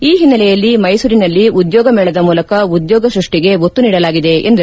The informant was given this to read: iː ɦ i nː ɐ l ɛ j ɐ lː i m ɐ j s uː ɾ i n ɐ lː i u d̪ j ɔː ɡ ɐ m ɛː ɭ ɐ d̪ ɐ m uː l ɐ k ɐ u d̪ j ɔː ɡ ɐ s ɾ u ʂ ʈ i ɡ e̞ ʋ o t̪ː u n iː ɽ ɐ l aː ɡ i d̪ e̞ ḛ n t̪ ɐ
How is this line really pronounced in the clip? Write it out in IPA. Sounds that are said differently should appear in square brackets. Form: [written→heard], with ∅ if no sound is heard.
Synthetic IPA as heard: iː ɦ i nː ɐ l ɛ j ɐ lː i m ɐ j s uː ɾ i n ɐ lː i u d̪ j ɔː ɡ ɐ m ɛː ɭ ɐ d̪ ɐ m uː l ɐ k ɐ u d̪ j ɔː ɡ ɐ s ɾ u ʂ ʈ i ɡ e̞ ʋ o t̪ː u n iː ɽ ɐ l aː ɡ i d̪ e̞ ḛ n [t̪→d̪] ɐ